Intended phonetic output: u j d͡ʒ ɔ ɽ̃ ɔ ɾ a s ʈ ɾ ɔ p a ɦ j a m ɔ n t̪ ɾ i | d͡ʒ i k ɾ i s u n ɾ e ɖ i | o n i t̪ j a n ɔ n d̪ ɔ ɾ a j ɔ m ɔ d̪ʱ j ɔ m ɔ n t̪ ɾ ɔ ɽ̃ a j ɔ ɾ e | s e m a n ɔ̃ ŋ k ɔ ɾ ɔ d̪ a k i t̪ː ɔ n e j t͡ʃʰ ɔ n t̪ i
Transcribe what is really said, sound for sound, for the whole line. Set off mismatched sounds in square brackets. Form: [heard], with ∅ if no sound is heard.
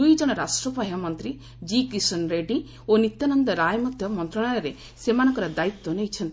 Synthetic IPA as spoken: u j d͡ʒ ɔ ɽ̃ ɔ ɾ a s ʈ ɾ ɔ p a ɦ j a m ɔ n t̪ ɾ i | d͡ʒ i k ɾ i s [ɔ] n ɾ e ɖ i | o n i t̪ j a n ɔ n d̪ ɔ ɾ a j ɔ m ɔ d̪ʱ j ɔ m ɔ n t̪ ɾ ɔ ɽ̃ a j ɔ ɾ e | s e m a n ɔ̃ ŋ k ɔ ɾ ɔ d̪ a [∅] i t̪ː ɔ n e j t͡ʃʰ ɔ n t̪ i